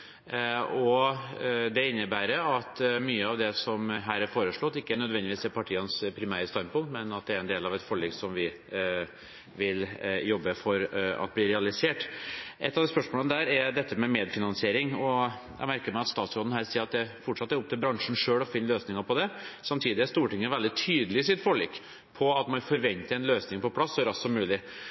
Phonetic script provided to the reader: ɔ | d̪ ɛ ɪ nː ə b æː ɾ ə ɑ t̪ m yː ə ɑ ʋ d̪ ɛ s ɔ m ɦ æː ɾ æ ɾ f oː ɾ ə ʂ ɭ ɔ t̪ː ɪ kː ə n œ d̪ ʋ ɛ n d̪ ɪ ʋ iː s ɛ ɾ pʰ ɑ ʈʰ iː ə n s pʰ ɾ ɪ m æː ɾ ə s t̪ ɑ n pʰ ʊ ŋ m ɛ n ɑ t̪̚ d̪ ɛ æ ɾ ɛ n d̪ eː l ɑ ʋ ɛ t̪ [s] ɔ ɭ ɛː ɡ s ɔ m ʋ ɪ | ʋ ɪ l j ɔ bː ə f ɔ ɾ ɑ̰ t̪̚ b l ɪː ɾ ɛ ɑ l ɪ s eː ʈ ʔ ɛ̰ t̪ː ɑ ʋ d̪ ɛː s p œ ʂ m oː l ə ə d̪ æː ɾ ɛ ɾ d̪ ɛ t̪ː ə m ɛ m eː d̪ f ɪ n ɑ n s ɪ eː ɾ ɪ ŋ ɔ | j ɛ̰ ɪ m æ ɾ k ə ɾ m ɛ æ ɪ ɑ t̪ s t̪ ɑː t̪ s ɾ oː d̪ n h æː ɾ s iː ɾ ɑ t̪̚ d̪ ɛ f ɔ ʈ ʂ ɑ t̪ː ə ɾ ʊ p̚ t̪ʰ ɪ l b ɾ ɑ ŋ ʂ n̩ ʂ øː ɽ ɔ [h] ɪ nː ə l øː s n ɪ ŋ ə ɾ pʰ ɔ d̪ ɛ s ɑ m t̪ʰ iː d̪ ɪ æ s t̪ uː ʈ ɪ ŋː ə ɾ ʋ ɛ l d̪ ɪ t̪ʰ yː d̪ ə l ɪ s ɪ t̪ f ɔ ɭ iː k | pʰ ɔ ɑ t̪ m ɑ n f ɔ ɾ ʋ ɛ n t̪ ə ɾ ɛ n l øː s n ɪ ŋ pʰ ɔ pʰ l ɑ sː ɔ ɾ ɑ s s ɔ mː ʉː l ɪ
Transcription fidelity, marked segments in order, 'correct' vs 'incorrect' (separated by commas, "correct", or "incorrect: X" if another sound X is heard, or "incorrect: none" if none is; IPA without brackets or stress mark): incorrect: f, incorrect: f